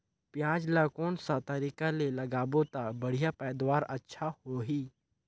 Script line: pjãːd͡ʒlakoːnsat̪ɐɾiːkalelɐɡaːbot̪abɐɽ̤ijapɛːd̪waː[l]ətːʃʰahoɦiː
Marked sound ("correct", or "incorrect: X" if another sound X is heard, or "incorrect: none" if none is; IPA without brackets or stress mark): incorrect: ɾ